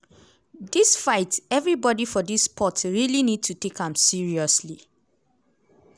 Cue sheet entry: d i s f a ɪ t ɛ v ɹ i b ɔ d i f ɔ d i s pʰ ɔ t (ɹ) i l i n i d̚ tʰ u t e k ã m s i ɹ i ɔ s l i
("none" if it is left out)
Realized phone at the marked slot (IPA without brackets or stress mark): ɹ